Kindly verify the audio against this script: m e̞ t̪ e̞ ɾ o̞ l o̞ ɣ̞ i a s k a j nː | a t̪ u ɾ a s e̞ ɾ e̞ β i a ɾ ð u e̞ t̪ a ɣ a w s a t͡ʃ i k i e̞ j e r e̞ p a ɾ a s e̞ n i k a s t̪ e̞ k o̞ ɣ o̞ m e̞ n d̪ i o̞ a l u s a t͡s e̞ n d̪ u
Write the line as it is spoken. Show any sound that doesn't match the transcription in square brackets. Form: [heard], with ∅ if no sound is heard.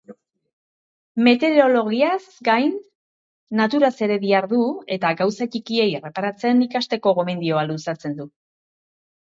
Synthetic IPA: m e̞ t̪ e̞ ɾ o̞ l o̞ ɣ̞ i a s [ɡ] a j nː | a t̪ u ɾ a s e̞ ɾ e̞ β i a ɾ ð u e̞ t̪ a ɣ a w s a t͡ʃ i k i e̞ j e r e̞ p a ɾ a [t͡s] e̞ n i k a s t̪ e̞ k o̞ ɣ o̞ m e̞ n d̪ i o̞ a l u s a t͡s e̞ n d̪ u